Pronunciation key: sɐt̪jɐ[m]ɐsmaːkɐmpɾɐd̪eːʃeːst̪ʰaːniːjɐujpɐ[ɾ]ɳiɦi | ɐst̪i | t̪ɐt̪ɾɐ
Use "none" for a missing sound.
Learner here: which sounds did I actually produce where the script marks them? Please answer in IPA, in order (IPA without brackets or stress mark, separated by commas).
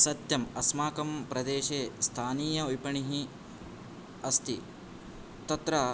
m, none